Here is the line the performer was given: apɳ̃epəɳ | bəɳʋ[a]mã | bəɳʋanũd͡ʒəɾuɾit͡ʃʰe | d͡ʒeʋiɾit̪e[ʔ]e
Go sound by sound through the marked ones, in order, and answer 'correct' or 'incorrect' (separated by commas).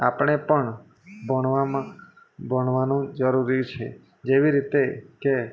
correct, incorrect